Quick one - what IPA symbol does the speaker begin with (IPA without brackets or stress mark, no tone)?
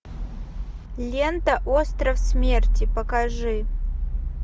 lʲ